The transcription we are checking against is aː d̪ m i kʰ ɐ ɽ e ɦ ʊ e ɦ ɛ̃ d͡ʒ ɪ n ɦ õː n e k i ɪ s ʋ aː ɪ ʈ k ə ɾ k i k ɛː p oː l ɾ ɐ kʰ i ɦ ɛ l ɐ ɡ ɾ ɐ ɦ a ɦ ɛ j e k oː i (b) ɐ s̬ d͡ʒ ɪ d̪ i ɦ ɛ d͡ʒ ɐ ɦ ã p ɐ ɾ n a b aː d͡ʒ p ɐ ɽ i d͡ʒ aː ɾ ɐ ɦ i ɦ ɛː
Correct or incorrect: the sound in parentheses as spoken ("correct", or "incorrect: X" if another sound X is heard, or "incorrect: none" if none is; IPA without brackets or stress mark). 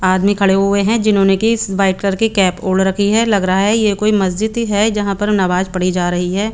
incorrect: m